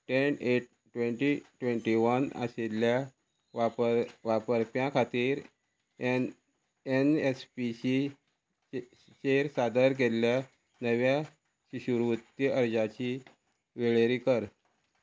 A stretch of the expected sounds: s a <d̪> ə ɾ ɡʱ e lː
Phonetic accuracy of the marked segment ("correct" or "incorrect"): correct